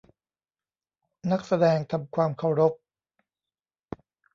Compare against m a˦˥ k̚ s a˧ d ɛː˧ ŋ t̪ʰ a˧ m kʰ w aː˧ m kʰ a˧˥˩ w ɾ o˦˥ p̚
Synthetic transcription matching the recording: n a˦˥ k̚ s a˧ d ɛː˧ ŋ t̪ʰ a˧ m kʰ w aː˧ m kʰ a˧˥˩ w ɾ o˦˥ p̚